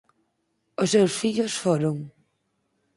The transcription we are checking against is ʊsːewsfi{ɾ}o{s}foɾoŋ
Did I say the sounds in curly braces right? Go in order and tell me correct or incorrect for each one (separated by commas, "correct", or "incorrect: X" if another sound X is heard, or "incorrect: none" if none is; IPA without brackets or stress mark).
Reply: incorrect: ʎ, correct